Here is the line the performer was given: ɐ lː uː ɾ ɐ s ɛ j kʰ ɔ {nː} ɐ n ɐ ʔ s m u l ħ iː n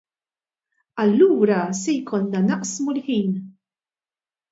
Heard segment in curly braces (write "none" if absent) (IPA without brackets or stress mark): nː